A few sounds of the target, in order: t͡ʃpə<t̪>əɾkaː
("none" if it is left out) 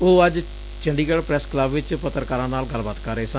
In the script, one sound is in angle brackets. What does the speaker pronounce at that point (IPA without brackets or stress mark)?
t̪